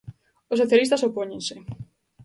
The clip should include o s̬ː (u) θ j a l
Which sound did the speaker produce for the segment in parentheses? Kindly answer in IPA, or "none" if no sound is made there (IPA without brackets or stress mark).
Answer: o